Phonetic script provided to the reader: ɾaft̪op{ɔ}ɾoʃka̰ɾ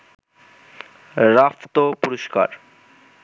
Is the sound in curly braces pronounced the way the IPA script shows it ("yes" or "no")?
no